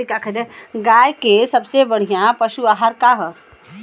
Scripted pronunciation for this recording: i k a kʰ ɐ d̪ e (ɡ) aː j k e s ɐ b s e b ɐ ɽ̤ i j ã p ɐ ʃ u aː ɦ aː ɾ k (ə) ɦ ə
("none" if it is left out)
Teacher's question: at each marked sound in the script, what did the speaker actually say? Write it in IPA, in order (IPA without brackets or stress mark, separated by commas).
ɡ, a